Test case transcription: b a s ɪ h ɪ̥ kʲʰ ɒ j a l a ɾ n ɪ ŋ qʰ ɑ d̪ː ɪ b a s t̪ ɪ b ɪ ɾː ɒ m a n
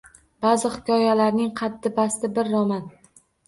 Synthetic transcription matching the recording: b a z ɪ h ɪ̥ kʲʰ ɒ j a l a ɾ n ɪ ŋ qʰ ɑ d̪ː ɪ b a s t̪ ɪ b ɪ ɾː ɒ m a n